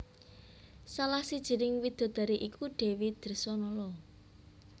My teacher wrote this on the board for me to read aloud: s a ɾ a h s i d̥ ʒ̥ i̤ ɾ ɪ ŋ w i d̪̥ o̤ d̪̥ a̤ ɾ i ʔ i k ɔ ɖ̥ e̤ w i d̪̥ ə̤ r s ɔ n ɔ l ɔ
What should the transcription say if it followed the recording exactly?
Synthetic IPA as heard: s a l a h s i d̥ ʒ̥ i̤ ɾ ɪ ŋ w i d̪̥ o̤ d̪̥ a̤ ɾ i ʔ i k u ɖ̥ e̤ w i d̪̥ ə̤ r s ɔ n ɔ l ɔ